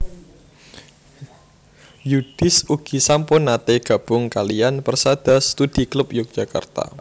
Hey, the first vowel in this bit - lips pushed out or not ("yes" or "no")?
yes